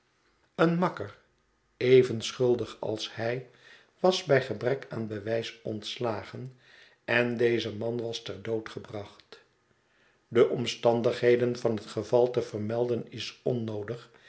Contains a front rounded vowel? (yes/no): no